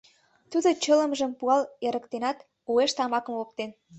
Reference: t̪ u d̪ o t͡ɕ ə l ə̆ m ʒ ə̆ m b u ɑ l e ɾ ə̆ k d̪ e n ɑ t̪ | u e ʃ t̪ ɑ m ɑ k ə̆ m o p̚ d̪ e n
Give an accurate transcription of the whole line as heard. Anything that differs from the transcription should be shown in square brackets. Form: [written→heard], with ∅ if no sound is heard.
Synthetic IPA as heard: t̪ u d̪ o t͡ɕ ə l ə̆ m ʒ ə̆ m [b→p] u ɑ l e ɾ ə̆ k [d̪→t̪] e n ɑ t̪ | u e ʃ t̪ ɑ m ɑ k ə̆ m o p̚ [d̪→t̪] e n